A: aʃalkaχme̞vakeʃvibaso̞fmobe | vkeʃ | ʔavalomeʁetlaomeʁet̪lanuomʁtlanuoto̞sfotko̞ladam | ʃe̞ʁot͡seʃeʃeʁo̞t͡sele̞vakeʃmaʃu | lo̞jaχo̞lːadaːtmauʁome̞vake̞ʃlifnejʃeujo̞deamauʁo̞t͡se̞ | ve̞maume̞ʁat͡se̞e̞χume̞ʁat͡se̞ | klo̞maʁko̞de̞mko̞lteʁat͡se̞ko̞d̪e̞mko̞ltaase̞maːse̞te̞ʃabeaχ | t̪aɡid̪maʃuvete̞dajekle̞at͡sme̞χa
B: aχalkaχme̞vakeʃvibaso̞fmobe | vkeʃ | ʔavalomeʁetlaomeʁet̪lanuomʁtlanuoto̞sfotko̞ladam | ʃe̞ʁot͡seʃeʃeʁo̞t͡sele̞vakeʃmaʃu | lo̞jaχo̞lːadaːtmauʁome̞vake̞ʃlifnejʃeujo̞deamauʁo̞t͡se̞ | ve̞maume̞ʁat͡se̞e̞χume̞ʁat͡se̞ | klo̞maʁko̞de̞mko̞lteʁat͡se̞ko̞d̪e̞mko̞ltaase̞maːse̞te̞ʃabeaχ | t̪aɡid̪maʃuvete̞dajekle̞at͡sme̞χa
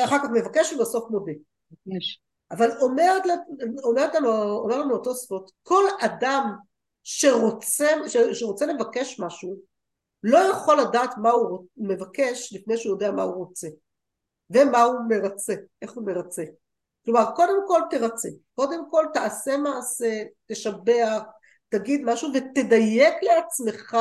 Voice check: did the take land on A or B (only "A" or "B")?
B